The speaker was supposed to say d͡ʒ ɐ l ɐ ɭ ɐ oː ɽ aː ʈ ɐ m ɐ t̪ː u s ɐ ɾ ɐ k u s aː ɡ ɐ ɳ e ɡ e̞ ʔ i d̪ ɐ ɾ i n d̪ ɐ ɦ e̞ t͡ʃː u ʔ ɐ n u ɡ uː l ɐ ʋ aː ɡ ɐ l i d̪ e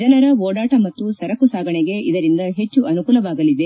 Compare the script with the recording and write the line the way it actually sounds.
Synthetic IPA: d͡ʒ ɐ l ɐ ɾ ɐ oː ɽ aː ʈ ɐ m ɐ t̪ː u s ɐ ɾ ɐ k u s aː ɡ ɐ ɳ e ɡ e̞ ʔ i d̪ ɐ ɾ i n d̪ ɐ ɦ e̞ t͡ʃː u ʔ ɐ n u k uː l ɐ ʋ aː ɡ ɐ l i d̪ e